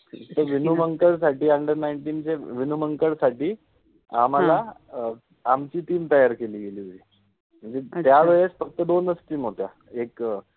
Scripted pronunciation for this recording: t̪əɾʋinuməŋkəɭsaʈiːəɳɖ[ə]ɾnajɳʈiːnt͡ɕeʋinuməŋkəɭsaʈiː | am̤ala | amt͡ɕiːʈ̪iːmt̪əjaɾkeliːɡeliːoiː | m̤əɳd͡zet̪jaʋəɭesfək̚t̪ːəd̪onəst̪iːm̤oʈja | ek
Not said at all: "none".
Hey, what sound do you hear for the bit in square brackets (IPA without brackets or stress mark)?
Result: ə